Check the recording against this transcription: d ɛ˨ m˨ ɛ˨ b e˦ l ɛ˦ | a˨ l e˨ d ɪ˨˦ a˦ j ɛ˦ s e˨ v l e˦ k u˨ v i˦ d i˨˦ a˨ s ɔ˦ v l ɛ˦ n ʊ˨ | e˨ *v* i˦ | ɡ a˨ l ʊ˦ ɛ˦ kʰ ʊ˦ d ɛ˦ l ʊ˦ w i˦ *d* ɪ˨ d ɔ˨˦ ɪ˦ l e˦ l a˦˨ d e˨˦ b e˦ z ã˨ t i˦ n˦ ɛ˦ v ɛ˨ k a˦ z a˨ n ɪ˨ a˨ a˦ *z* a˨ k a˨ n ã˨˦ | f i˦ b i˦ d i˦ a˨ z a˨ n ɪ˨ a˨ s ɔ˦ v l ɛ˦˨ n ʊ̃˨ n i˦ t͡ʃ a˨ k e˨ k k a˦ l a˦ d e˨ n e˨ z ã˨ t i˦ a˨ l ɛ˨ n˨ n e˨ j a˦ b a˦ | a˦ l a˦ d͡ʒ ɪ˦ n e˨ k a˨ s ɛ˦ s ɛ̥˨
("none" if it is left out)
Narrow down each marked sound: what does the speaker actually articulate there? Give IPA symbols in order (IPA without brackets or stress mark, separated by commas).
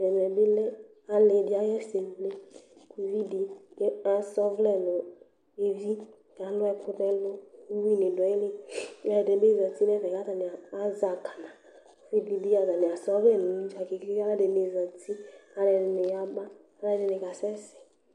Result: v, n, z